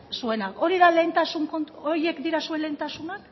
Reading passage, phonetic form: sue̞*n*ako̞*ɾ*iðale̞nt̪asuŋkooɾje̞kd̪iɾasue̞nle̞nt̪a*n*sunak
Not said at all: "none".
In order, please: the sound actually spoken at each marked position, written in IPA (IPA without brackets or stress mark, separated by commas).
n, ɾ, none